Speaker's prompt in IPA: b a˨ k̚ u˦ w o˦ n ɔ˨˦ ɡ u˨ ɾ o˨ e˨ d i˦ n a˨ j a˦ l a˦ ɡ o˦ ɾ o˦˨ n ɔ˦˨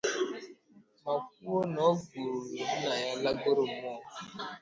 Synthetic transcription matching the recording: m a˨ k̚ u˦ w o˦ n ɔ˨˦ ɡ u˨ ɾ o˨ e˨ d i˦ n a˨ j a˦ l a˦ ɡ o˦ ɾ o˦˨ m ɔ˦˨